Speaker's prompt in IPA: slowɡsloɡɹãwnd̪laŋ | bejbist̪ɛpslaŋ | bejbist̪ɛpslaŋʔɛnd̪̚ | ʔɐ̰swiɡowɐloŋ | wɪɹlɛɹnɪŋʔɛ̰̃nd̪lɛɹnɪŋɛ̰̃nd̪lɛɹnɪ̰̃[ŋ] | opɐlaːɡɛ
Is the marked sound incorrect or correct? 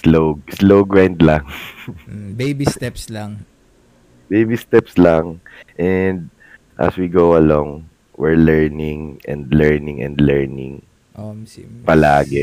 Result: correct